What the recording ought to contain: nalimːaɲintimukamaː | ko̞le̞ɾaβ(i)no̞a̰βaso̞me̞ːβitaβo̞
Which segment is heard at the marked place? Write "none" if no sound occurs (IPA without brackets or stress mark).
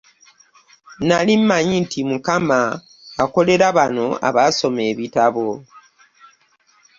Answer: a